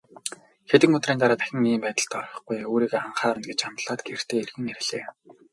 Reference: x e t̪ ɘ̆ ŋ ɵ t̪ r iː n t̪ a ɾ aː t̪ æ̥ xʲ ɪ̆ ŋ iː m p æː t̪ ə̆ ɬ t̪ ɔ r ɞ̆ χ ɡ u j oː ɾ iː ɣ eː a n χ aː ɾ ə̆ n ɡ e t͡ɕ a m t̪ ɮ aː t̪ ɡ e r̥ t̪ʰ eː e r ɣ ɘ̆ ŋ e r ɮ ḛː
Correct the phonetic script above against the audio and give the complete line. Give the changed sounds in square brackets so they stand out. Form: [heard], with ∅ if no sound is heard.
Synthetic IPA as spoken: x e t̪ ɘ̆ ŋ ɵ t̪ r iː n t̪ a ɾ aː t̪ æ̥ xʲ ɪ̆ ŋ iː m p æː t̪ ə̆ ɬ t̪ ɔ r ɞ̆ χ ɡ u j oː ɾ iː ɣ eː a [ɴ] χ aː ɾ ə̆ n ɡ e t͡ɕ a m t̪ ɮ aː t̪ ɡ e r̥ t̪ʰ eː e r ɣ ɘ̆ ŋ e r ɮ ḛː